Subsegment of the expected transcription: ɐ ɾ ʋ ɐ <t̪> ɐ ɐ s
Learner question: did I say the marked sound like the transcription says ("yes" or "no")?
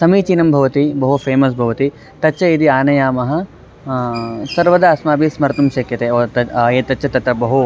no